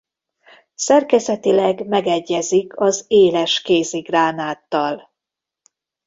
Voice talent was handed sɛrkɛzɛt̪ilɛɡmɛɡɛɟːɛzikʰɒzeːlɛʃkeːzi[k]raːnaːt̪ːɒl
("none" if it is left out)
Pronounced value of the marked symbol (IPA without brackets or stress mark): ɡ